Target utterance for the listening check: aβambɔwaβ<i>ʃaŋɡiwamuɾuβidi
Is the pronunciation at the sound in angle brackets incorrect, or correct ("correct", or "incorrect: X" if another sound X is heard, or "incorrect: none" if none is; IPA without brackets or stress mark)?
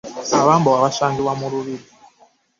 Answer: incorrect: a